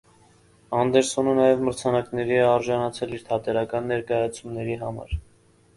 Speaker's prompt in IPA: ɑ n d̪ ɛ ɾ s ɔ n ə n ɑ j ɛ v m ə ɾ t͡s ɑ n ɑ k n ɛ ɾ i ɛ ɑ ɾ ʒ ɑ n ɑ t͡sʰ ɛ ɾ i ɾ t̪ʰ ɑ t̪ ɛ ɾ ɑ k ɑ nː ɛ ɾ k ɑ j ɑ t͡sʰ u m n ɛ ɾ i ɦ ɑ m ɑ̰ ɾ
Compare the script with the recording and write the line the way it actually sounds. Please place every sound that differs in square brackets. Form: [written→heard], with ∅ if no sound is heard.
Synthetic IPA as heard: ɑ n d̪ ɛ ɾ s ɔ n ə n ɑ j ɛ v m ə ɾ [t͡s→t͡sʰ] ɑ n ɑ k n ɛ ɾ i ɛ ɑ ɾ ʒ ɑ n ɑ t͡sʰ ɛ [ɾ→l] i ɾ t̪ʰ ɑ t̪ ɛ ɾ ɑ k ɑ nː ɛ ɾ k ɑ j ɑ t͡sʰ u m n ɛ ɾ i ɦ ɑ m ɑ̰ ɾ

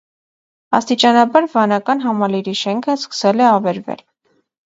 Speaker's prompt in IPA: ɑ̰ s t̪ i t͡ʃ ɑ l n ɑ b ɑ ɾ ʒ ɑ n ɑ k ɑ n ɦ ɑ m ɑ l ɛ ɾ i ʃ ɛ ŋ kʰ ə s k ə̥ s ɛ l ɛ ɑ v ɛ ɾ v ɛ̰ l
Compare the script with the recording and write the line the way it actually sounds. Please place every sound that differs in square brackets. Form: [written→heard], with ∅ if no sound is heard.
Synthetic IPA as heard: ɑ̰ s t̪ i t͡ʃ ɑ [l→∅] n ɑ b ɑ ɾ [ʒ→v] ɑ n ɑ k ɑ n ɦ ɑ m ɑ l [ɛ→i] ɾ i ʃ ɛ ŋ kʰ ə s k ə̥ s ɛ l ɛ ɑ v ɛ ɾ v ɛ̰ l

